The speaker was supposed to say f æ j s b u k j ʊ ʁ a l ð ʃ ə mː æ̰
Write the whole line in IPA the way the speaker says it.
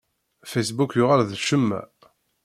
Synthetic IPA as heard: f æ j s b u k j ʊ ʁ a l ð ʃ ə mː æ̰